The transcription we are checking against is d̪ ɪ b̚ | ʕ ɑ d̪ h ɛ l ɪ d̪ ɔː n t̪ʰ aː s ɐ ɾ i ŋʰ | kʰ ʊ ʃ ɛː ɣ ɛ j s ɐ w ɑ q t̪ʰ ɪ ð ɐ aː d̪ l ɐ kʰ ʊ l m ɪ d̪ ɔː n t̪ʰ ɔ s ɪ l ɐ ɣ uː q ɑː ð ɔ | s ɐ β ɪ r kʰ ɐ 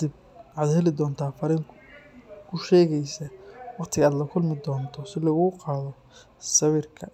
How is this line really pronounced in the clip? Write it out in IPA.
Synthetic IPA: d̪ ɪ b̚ | ʕ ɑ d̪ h ɛ l ɪ d̪ ɔː n t̪ʰ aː f ɐ ɾ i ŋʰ | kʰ ʊ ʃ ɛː ɣ ɛ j s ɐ w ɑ q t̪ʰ ɪ ɣ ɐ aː d̪ l ɐ kʰ ʊ l m ɪ d̪ ɔː n t̪ʰ ɔ s ɪ l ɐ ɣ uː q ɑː ð ɔ | s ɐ β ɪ r kʰ ɐ